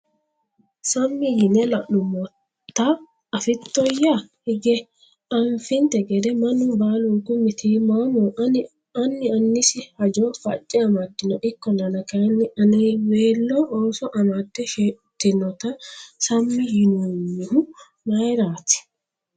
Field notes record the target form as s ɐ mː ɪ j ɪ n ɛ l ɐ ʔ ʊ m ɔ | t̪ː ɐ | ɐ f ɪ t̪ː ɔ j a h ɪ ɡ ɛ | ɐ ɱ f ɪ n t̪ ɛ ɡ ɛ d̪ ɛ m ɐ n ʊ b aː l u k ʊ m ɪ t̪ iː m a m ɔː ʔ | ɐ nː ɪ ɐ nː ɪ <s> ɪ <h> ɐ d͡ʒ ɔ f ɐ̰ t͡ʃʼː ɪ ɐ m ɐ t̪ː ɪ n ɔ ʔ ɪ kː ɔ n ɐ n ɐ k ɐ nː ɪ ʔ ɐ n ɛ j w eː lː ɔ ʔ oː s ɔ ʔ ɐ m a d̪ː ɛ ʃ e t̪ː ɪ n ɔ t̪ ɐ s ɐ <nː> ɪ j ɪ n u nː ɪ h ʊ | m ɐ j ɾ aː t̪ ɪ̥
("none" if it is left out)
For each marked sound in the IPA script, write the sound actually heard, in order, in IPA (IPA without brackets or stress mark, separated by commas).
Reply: s, h, mː